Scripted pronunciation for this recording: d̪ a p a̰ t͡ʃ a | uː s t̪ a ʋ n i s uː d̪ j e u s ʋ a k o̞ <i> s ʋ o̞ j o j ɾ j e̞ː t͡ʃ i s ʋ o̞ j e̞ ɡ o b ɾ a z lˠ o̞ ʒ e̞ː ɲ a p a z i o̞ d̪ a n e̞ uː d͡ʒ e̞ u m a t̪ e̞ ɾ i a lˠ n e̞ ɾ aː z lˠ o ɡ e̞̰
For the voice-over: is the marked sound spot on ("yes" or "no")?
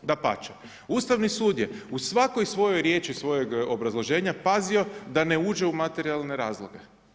no